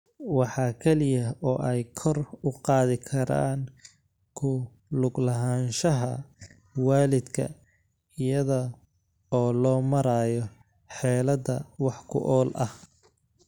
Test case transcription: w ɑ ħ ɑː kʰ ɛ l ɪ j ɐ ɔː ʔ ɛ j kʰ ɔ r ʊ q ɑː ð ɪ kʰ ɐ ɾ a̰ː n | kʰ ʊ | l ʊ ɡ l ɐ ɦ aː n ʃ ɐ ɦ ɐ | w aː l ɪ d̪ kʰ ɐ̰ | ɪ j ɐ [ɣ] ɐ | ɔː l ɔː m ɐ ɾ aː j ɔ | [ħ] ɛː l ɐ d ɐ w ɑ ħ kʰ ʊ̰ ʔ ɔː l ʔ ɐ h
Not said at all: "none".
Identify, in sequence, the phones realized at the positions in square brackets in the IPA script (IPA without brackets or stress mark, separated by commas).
ð, ħ